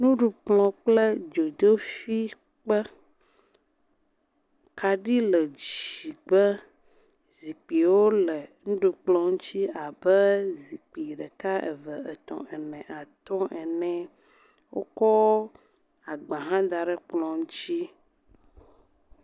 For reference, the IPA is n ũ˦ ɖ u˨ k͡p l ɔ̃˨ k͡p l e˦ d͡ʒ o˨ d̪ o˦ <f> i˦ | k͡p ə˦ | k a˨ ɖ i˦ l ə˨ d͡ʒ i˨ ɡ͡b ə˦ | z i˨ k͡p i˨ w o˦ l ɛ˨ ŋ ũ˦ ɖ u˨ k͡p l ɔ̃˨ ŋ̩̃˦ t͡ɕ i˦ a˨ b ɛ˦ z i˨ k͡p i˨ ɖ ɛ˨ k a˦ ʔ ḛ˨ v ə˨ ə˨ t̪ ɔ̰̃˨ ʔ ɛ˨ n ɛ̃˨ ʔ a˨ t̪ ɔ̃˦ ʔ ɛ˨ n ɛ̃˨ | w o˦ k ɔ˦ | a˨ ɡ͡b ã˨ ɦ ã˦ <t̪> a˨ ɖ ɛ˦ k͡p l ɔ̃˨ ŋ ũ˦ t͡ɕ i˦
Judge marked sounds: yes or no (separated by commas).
yes, no